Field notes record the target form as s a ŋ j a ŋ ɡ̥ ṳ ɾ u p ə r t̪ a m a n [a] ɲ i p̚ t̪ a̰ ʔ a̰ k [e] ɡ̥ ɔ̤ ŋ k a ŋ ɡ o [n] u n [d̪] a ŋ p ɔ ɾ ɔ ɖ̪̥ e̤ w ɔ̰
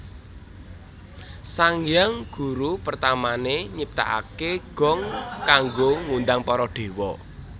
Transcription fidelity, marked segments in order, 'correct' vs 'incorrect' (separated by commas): incorrect, correct, incorrect, correct